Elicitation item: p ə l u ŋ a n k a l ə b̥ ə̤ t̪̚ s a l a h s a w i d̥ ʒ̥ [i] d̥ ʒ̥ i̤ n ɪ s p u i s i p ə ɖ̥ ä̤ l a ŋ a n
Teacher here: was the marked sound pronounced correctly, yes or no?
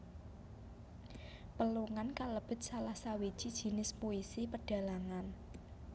yes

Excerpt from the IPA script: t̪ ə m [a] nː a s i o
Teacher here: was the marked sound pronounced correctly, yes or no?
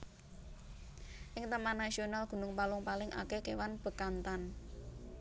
yes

